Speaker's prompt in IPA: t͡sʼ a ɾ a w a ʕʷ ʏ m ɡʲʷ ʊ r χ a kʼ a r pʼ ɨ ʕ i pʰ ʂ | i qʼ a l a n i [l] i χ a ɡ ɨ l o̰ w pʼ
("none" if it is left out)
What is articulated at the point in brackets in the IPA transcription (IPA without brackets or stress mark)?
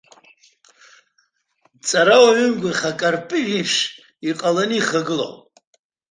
none